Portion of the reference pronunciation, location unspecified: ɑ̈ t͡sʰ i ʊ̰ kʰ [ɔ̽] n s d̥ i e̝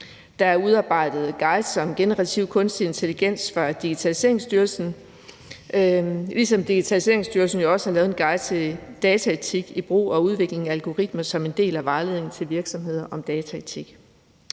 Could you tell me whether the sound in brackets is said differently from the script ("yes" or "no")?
no